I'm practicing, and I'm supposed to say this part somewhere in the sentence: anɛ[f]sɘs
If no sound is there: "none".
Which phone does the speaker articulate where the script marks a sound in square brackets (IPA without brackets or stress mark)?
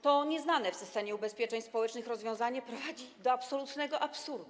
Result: f